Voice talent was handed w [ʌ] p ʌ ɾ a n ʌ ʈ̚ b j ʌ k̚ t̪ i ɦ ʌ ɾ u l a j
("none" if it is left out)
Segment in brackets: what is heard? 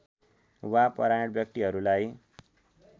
a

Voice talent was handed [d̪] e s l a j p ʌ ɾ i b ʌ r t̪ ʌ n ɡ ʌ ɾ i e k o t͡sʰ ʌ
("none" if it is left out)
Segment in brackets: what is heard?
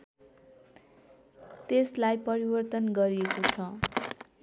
t̪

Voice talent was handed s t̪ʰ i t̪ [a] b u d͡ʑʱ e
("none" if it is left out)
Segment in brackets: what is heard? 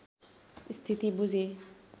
i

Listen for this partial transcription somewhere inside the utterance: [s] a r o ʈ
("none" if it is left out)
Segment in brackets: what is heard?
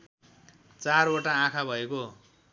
t͡s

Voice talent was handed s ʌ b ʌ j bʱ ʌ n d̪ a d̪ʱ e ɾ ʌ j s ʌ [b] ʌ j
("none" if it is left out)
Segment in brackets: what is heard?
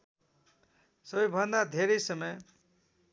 m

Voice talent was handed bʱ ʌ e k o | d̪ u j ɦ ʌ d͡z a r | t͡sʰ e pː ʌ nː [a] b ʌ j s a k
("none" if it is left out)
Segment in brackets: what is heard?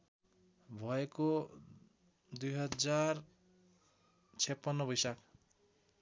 ʌ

